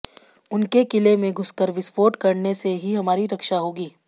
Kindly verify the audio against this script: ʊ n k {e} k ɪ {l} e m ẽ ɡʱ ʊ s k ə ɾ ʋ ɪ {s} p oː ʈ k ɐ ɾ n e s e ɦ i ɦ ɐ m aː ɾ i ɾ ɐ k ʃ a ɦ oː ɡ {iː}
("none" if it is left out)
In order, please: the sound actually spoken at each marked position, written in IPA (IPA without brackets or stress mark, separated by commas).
e, l, s, iː